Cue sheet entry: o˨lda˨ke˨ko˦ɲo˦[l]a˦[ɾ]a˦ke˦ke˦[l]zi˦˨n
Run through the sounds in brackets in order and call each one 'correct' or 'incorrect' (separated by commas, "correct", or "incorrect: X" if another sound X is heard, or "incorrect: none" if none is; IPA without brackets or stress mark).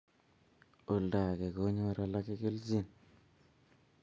incorrect: ɾ, incorrect: l, correct